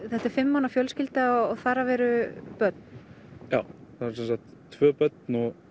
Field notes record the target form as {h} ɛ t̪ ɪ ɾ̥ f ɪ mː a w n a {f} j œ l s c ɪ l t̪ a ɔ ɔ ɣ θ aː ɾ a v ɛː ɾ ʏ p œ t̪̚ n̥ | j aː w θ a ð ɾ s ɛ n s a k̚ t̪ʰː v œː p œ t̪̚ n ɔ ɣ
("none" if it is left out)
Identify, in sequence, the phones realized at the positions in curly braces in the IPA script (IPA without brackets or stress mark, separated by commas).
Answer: θ, f